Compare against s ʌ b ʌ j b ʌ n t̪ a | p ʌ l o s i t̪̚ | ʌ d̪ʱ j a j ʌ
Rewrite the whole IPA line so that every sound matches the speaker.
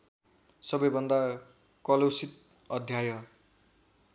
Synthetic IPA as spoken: s ʌ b ʌ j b ʌ n d̪ a | k ʌ l o s i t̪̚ | ʌ d̪ʱ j a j ʌ